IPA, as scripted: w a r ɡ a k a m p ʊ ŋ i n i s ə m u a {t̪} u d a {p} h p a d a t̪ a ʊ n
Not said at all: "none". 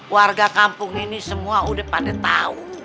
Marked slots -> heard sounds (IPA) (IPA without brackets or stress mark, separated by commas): none, none